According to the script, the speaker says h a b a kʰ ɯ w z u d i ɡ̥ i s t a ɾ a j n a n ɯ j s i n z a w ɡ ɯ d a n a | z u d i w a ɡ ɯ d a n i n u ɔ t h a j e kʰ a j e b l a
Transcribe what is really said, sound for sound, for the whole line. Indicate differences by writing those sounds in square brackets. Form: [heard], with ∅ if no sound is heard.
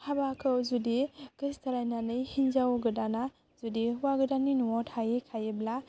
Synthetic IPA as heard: h a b a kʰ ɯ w z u d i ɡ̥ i s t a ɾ a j n a n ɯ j [h] i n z a w ɡ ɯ d a n a | z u d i w a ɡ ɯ d a n i n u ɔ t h a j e kʰ a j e b l a